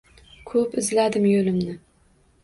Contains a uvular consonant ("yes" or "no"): no